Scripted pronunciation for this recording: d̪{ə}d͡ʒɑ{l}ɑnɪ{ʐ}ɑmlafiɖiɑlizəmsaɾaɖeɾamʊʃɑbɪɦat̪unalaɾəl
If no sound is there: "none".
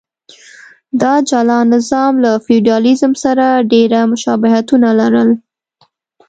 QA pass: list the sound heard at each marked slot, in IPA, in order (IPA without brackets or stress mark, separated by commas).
ɑ, l, z